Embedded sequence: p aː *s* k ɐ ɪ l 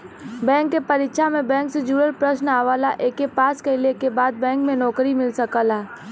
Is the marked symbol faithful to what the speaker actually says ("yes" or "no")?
yes